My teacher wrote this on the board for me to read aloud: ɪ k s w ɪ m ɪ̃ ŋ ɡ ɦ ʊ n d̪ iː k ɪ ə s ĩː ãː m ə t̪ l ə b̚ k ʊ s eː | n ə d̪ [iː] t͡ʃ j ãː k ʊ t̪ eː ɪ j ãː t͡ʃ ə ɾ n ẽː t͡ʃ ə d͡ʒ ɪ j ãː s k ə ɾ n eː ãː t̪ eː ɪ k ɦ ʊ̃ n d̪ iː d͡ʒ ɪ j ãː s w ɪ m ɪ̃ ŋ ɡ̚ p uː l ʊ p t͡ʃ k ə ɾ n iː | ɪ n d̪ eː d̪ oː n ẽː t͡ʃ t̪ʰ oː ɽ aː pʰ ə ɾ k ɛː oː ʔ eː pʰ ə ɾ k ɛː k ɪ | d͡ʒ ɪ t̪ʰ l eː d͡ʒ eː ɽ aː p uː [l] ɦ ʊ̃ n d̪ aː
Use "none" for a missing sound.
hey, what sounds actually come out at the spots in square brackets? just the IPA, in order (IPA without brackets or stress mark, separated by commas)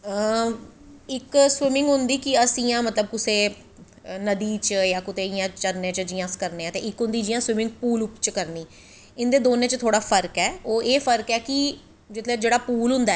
iː, l